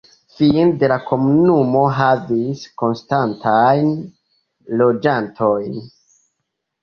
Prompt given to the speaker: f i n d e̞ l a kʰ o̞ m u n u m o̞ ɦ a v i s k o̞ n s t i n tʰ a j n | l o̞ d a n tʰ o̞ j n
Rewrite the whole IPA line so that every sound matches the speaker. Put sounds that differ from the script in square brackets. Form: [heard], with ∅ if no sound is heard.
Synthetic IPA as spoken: f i n d e̞ l a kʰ o̞ m u n u m o̞ ɦ a v i s k o̞ n s t [a] n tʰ a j n | l o̞ [d͡ʒ] a n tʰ o̞ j n